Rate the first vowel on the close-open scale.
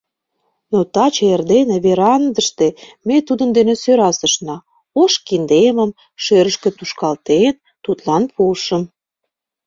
mid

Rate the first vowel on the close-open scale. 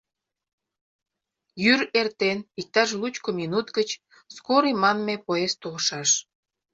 close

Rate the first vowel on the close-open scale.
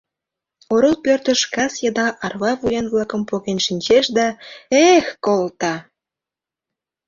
mid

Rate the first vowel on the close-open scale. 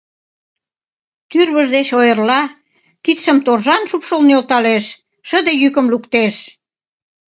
close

